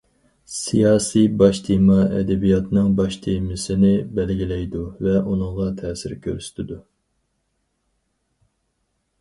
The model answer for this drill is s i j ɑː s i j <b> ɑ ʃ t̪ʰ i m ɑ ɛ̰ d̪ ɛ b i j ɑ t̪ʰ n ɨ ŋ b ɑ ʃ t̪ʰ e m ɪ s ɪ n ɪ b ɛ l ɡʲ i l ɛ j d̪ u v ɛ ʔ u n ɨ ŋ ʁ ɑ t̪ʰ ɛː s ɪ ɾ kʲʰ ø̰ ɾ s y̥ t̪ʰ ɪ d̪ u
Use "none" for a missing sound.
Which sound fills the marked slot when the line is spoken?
b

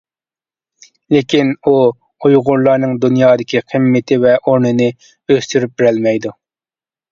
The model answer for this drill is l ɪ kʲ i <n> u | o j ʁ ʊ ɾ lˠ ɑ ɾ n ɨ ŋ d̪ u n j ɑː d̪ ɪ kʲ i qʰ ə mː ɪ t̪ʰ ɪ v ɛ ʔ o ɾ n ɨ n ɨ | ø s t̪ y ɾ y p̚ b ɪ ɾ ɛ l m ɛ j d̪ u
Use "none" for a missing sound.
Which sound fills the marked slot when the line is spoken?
n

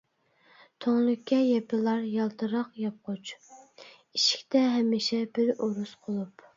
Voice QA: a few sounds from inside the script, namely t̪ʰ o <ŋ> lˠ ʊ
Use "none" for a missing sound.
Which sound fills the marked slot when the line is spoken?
ŋ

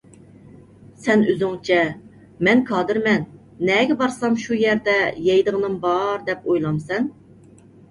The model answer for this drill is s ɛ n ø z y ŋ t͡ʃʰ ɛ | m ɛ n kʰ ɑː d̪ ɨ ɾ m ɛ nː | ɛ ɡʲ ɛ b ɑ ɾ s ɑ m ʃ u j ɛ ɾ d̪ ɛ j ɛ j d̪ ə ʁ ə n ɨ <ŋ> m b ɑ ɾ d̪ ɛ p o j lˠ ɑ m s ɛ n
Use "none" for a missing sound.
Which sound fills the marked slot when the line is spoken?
none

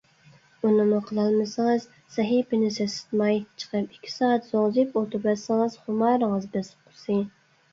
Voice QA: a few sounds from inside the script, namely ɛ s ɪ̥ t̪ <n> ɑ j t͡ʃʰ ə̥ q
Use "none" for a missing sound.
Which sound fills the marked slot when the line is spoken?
m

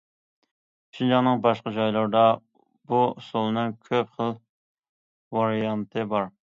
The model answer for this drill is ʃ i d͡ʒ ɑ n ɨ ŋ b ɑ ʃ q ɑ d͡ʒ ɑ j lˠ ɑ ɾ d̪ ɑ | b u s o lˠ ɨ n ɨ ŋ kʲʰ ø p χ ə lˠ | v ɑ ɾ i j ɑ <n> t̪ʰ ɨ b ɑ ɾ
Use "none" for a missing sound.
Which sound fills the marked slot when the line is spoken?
n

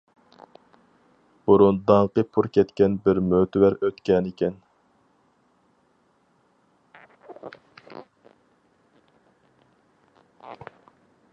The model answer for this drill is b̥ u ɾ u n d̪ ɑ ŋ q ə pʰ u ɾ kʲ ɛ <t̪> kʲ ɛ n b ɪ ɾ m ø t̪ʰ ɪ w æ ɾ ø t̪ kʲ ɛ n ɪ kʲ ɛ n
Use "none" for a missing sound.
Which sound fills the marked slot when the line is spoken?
t̪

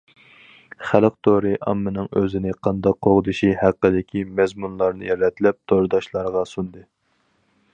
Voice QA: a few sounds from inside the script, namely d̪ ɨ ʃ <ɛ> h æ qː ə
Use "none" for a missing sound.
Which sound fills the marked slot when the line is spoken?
i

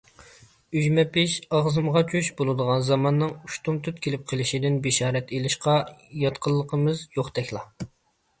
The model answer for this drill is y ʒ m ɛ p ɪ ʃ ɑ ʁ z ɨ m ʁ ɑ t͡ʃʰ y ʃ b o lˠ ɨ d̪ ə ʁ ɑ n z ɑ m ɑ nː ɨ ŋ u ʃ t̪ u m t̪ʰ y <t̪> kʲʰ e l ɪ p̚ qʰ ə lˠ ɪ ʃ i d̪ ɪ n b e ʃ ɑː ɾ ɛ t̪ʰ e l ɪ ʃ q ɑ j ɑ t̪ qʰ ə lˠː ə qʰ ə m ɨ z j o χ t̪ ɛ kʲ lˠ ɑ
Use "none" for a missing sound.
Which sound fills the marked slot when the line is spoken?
t̪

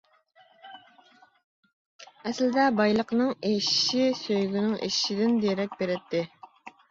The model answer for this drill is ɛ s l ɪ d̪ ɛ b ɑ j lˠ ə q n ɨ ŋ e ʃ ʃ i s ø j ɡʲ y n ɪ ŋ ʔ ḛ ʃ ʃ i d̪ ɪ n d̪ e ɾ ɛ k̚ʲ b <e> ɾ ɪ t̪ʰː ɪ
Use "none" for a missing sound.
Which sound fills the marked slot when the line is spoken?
e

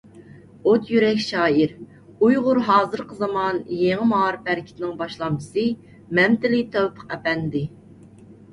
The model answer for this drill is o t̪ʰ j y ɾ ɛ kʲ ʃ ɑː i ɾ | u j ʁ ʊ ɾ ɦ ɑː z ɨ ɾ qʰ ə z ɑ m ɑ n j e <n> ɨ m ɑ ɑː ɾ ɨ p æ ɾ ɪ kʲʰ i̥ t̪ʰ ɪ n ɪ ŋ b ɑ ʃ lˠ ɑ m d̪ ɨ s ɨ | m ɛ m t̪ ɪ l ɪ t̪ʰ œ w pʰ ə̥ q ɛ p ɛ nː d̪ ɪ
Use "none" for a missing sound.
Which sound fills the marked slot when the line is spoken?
ŋ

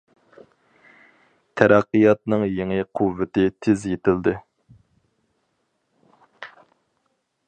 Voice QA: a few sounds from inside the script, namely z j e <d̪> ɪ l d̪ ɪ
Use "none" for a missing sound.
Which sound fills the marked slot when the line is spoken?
t̪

